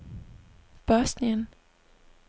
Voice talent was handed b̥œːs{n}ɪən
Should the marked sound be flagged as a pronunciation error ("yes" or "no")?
no